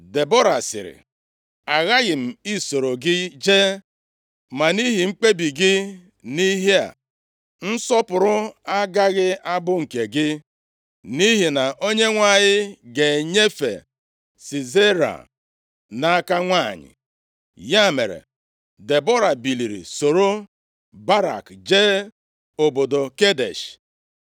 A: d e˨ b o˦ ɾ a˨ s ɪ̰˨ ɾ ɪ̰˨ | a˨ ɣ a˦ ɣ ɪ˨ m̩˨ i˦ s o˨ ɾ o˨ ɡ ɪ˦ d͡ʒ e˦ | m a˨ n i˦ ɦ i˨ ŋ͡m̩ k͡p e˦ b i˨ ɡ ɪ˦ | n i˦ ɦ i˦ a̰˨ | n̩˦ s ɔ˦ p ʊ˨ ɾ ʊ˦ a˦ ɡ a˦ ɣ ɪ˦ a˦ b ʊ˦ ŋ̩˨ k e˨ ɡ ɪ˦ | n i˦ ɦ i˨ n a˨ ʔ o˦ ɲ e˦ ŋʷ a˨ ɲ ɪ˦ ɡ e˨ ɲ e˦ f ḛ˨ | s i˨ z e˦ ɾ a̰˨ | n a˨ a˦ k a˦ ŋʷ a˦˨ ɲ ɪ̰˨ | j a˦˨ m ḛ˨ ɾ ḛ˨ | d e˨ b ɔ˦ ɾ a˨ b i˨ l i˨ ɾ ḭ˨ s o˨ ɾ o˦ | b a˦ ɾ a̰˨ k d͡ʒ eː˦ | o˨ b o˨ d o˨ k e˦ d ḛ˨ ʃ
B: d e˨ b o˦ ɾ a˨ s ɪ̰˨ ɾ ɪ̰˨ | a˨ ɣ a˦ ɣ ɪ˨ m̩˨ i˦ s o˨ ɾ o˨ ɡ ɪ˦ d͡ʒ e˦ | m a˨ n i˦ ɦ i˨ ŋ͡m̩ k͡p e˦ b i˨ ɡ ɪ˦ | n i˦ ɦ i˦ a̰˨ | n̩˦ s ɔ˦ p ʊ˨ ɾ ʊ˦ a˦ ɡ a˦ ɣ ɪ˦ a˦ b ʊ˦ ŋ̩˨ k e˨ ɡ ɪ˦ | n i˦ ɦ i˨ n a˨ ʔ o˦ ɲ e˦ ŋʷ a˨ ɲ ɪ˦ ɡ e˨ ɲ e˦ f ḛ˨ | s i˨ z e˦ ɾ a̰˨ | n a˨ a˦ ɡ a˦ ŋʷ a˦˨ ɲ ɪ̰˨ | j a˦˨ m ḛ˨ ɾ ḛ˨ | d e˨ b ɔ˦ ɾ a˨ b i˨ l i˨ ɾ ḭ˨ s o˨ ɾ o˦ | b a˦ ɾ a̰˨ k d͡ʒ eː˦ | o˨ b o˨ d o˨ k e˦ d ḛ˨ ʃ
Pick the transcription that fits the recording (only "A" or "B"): A